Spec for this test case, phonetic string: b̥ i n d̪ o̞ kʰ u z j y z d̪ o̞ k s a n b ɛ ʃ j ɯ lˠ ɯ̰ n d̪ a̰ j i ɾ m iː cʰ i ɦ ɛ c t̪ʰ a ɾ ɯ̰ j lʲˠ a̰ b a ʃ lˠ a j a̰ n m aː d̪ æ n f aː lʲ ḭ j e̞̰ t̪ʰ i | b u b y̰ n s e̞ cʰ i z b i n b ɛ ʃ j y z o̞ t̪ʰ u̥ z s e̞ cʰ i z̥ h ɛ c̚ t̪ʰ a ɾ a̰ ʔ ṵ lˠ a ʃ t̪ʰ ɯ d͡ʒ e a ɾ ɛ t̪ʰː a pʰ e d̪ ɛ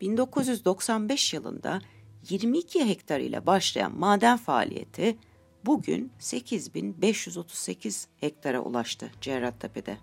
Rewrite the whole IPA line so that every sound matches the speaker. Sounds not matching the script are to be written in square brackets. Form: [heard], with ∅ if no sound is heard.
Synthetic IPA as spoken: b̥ i n d̪ o̞ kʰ u z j y z d̪ o̞ k s a n b ɛ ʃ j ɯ lˠ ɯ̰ n d̪ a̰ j i ɾ m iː cʰ i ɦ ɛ c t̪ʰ a ɾ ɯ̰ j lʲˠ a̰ b a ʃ lˠ a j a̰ n m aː d̪ æ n f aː lʲ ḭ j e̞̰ t̪ʰ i | b u [ɟ] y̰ n s e̞ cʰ i z b i n b ɛ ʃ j y z o̞ t̪ʰ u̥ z s e̞ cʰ i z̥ h ɛ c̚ t̪ʰ a ɾ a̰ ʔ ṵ lˠ a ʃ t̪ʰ ɯ d͡ʒ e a ɾ [a] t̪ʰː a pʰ e d̪ ɛ